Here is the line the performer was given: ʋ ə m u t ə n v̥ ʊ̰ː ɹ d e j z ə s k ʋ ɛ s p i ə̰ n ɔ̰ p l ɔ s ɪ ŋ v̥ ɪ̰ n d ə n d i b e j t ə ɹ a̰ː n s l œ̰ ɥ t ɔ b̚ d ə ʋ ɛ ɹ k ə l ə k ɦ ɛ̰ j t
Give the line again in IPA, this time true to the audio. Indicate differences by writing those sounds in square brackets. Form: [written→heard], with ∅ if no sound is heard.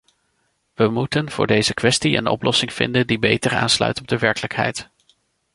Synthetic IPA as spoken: ʋ ə m u t ə n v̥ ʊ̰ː ɹ d e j z ə [s→∅] k ʋ ɛ s [p→t] i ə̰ n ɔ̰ p l ɔ s ɪ ŋ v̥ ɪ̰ n d ə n d i b e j t ə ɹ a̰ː n s l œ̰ ɥ t ɔ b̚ d ə ʋ ɛ ɹ k ə l ə k ɦ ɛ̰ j t